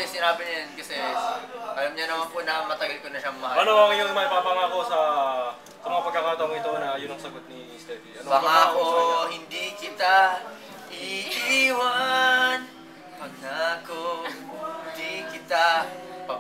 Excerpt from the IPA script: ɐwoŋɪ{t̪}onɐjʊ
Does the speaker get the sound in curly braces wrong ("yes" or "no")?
no